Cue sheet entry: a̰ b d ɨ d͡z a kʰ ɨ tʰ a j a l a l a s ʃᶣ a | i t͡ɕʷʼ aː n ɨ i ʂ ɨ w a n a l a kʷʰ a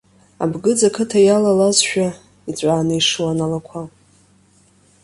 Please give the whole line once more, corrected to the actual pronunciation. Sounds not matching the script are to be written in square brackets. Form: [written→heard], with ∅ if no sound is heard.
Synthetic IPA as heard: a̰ b [d→ɡ] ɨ d͡z a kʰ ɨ tʰ a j a l a l a [s→z] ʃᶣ a | i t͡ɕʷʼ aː n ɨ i ʂ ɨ w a n a l a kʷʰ a